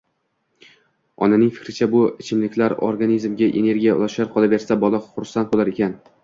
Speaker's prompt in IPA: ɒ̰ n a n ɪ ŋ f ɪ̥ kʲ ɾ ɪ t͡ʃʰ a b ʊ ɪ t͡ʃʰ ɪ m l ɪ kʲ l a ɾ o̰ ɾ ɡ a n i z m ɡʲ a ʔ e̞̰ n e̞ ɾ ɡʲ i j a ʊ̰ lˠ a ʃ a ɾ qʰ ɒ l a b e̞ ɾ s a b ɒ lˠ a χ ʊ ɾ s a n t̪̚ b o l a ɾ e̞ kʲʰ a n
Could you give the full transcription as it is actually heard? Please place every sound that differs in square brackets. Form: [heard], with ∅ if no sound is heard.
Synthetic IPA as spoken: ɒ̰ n a n ɪ ŋ f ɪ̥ kʲ ɾ ɪ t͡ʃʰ a b ʊ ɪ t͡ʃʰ ɪ m l ɪ kʲ l a ɾ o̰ ɾ ɡ a n i z m ɡʲ a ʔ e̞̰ n e̞ ɾ ɡʲ i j a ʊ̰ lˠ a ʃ a ɾ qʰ ɒ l a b e̞ ɾ s a b ɒ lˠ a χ ʊ ɾ s a n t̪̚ b o l a ɾ e̞ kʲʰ a n